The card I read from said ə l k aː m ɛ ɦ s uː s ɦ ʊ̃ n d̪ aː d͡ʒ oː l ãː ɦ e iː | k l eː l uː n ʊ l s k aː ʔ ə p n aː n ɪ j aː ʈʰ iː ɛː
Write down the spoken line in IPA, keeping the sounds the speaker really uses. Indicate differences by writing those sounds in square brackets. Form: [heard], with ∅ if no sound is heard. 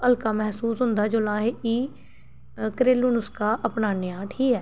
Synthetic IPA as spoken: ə l k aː m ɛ ɦ s uː s ɦ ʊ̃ n d̪ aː d͡ʒ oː l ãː ɦ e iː | k [ɾ] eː l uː n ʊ [∅] s k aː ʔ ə p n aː n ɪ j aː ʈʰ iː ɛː